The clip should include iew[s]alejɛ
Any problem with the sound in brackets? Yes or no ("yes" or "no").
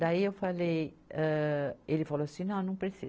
yes